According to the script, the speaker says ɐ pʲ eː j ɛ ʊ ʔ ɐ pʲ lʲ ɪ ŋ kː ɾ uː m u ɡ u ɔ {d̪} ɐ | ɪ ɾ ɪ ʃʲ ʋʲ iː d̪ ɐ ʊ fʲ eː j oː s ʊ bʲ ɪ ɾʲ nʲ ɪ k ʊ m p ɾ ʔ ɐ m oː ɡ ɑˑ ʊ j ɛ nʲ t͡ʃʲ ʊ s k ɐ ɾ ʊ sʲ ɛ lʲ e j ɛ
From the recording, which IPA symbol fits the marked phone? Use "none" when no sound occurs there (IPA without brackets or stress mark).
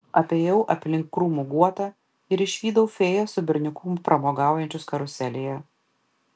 t̪